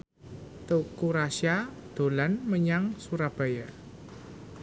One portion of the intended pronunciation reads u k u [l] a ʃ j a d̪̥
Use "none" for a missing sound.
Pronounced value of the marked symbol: ɾ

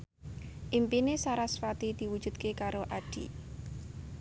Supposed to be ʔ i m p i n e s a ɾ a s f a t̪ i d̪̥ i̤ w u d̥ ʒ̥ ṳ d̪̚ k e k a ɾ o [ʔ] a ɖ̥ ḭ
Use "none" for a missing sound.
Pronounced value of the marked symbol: ʔ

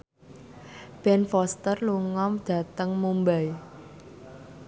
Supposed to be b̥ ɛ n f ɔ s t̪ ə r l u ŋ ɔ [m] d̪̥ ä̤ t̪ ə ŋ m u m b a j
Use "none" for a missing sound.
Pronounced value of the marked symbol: m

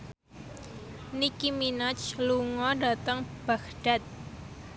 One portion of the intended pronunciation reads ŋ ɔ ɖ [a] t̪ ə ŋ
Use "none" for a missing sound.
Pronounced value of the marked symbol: a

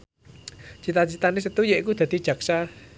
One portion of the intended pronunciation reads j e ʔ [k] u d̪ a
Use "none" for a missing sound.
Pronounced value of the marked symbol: k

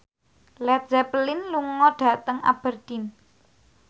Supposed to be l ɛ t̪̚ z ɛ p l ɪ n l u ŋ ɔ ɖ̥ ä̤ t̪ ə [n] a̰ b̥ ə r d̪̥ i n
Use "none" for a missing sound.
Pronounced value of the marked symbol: ŋ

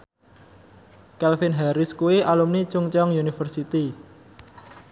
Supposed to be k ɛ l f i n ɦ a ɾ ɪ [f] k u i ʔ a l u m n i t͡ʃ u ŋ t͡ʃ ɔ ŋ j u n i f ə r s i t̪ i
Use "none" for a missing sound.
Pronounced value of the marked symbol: s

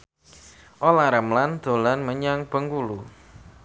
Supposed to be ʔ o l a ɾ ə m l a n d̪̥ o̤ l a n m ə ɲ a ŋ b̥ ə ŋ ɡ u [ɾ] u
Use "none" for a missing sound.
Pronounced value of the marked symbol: l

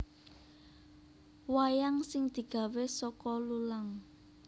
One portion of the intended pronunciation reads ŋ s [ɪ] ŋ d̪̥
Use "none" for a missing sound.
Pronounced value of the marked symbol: ɪ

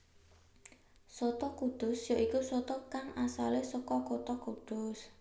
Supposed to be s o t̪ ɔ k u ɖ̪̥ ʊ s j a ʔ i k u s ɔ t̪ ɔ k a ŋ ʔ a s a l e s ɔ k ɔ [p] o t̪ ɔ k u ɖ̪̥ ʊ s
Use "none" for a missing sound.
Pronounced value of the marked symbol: k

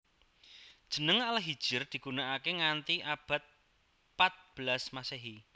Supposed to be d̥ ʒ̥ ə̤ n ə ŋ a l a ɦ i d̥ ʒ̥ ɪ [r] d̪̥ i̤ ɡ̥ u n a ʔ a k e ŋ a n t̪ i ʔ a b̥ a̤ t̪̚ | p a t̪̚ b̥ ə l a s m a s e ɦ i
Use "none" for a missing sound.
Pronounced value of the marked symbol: r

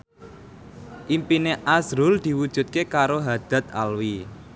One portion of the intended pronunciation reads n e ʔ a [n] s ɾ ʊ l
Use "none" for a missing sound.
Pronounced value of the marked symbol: none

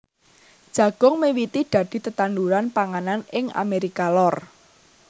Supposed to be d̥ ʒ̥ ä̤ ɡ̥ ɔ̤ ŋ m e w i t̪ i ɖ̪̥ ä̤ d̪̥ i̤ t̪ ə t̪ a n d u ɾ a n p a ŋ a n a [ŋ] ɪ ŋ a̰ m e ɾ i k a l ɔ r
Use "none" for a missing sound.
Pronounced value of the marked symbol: n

